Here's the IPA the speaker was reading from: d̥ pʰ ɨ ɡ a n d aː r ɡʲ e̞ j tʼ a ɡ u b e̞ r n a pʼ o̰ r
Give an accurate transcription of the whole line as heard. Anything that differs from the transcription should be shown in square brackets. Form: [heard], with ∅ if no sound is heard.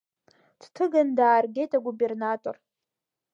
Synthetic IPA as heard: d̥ [tʰ] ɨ ɡ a n d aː r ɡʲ e̞ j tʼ a ɡ u b e̞ r n a [tʼ] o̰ r